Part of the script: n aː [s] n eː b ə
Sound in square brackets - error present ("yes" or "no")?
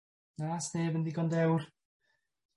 no